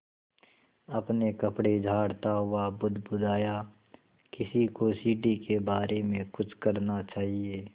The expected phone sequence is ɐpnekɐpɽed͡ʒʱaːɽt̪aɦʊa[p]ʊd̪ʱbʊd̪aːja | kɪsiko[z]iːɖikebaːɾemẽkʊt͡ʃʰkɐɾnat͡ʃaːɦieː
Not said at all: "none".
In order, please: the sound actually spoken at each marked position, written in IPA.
b, s

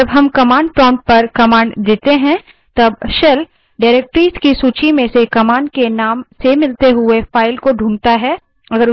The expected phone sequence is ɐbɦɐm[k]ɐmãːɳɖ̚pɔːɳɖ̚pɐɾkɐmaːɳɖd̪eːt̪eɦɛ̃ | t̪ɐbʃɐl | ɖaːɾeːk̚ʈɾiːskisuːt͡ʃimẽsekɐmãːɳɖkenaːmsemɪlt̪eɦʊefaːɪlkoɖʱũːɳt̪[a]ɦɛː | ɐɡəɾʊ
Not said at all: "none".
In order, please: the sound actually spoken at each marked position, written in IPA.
k, a

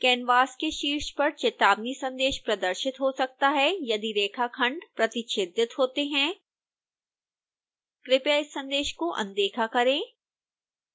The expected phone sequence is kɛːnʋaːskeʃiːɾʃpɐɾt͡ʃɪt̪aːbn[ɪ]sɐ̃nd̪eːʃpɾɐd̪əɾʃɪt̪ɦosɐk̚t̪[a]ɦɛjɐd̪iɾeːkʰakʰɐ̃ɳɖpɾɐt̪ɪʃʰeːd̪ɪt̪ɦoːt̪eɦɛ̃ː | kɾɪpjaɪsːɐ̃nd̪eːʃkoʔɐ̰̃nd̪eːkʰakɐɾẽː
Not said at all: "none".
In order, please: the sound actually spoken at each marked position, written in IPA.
i, a

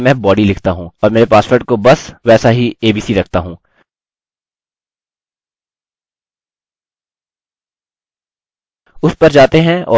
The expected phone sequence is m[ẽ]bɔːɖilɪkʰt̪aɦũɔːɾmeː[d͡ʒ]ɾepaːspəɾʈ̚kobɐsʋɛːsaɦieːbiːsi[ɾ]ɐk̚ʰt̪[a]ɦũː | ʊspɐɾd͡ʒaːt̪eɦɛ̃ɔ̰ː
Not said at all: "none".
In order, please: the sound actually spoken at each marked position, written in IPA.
ɛ̃, none, ɾ, a

